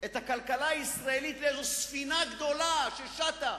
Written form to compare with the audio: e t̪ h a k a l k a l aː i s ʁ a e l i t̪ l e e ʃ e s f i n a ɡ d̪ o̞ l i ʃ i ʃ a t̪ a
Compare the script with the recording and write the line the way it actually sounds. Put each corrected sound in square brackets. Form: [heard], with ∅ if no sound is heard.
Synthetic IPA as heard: e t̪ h a k a l k a l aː i s ʁ a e l i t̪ l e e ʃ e s f i n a ɡ d̪ o̞ l [a] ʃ [e] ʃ a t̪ a